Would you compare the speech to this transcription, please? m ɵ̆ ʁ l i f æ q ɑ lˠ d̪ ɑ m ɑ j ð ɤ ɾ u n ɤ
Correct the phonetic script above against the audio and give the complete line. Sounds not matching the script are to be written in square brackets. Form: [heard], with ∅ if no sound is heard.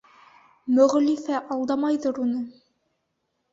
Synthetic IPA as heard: m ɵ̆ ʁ l i f æ [ʔ] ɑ lˠ d̪ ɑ m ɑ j ð ɤ ɾ u n ɤ